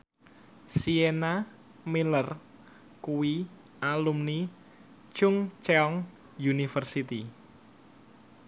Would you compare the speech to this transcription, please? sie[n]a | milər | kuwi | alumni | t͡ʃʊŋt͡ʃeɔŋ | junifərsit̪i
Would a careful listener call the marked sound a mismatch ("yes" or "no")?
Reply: no